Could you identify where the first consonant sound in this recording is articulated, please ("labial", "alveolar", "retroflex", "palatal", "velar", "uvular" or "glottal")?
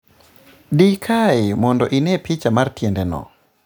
alveolar